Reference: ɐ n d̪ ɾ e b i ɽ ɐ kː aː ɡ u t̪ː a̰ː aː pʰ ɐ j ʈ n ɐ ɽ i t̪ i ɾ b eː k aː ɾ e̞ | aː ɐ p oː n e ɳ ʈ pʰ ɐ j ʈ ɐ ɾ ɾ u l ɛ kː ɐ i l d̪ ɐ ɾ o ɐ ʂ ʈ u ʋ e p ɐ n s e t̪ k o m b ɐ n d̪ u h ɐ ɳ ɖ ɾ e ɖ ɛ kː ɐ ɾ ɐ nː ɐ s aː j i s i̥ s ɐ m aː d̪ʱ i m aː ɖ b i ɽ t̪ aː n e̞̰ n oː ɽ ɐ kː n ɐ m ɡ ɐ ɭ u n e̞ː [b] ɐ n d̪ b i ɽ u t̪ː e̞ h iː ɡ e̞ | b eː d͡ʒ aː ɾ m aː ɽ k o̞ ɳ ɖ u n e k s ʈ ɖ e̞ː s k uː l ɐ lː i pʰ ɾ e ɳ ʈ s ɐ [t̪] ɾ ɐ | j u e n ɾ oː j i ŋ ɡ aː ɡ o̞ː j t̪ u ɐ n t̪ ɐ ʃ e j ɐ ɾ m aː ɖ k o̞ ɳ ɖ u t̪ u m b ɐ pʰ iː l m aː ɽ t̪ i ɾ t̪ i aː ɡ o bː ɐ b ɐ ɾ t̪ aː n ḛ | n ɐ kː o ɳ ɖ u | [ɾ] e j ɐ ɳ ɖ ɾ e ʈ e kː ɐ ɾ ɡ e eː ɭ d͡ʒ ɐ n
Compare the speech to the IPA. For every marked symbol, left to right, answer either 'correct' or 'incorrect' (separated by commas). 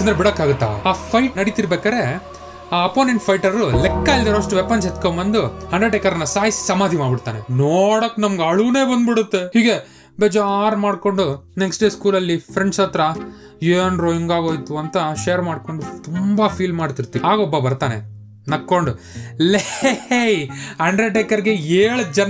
correct, correct, incorrect